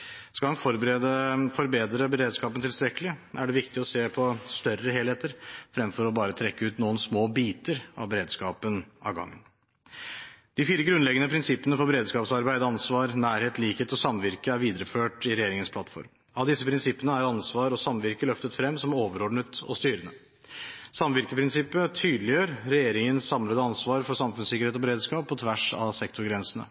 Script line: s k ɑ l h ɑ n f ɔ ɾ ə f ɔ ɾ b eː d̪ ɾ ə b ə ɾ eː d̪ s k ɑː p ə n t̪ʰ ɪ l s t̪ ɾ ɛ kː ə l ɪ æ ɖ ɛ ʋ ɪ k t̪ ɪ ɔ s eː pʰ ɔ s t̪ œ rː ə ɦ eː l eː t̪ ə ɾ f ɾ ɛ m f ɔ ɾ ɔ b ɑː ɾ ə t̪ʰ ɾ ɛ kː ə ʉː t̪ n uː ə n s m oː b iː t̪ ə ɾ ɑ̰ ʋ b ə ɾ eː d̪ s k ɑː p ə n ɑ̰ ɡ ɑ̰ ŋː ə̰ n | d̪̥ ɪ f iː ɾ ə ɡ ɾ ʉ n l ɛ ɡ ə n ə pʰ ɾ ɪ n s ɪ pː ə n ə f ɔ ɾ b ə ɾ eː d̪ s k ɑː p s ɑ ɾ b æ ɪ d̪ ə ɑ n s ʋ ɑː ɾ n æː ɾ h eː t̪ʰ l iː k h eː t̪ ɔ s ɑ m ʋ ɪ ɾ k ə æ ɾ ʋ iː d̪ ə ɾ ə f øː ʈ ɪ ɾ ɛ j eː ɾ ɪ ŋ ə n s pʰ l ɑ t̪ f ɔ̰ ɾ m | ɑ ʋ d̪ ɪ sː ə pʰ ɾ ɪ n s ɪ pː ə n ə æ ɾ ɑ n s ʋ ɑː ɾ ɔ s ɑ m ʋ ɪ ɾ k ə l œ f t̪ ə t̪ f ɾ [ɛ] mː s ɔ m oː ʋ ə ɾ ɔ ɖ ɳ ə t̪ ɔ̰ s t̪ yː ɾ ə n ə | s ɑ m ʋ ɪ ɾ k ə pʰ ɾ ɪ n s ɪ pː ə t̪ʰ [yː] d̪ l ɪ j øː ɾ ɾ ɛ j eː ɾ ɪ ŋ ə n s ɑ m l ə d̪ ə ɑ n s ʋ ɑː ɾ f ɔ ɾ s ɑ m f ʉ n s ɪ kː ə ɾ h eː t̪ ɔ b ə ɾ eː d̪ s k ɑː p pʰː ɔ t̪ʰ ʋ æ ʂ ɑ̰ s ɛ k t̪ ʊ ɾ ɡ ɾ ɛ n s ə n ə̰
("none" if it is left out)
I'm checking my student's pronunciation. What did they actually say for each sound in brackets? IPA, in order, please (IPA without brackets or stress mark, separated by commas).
ɛ, yː